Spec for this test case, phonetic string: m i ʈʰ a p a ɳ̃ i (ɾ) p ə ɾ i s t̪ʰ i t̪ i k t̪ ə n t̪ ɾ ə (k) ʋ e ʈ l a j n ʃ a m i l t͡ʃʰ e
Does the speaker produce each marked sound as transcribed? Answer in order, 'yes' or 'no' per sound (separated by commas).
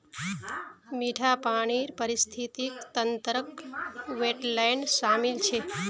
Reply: yes, yes